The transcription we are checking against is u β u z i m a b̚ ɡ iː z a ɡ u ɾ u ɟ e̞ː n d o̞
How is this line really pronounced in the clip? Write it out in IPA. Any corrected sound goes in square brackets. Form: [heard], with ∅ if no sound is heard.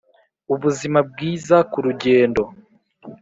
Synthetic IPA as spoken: u β u z i m a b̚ ɡ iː z a [k] u ɾ u ɟ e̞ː n d o̞

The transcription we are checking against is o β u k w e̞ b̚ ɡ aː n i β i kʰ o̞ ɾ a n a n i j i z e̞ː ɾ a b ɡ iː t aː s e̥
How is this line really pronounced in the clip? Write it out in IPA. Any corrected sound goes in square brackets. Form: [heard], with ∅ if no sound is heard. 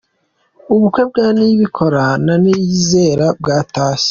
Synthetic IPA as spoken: [u] β u k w e̞ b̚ ɡ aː n i β i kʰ o̞ ɾ a n a n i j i z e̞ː ɾ a b ɡ [aː] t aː s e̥

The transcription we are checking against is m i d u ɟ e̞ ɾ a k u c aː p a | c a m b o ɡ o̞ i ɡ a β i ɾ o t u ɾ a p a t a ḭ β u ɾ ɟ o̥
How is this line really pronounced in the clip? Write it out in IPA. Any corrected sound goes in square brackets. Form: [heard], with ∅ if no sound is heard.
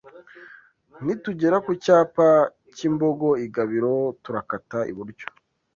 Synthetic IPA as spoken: [n] i [t] u ɟ e̞ ɾ a k u c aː p a | c [i] m b o ɡ o̞ i ɡ a β i ɾ o t u ɾ a [k] a t a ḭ β u ɾ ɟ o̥

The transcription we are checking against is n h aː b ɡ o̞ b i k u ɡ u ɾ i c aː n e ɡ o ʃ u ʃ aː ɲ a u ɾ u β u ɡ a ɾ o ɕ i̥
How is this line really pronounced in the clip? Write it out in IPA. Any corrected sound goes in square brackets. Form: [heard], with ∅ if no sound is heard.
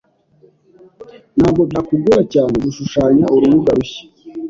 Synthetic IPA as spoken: n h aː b ɡ o̞ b [a] k u ɡ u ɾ [a] c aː n e ɡ [u] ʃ u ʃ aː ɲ a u ɾ u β u ɡ a ɾ [u] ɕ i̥

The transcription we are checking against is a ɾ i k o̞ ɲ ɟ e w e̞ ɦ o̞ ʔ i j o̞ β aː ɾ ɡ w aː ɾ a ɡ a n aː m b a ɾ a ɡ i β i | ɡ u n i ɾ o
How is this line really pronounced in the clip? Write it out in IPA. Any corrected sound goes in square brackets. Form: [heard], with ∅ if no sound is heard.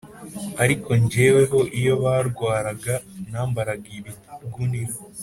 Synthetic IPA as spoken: a ɾ i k o̞ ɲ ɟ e w e̞ ɦ o̞ ʔ i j o̞ β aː ɾ ɡ w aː ɾ a ɡ a n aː m b a ɾ a ɡ i β i | ɡ u n i ɾ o

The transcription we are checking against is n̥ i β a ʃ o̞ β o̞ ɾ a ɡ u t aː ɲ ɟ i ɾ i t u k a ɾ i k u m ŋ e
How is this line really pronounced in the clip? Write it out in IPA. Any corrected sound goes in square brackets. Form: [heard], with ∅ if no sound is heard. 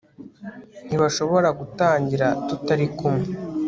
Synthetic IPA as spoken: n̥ i β a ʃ o̞ β o̞ ɾ a ɡ u t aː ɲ ɟ i ɾ [a] t u [t] a ɾ i k u m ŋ e

